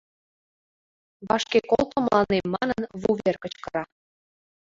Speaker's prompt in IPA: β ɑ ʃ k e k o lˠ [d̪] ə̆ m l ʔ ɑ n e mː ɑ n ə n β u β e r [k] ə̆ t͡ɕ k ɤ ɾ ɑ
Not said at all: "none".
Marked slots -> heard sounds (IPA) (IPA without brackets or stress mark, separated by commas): t̪, k